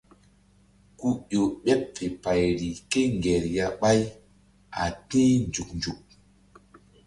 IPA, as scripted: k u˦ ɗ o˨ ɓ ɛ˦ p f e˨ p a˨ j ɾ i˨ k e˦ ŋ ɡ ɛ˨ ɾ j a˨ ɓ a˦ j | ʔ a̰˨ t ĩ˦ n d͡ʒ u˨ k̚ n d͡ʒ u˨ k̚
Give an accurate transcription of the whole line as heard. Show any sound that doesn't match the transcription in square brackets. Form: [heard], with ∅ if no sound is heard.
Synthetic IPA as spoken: k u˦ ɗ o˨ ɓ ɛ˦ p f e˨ p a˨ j ɾ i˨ k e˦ ŋ ɡ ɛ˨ ɾ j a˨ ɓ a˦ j | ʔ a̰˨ t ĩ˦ n d͡ʒ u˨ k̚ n d͡ʒ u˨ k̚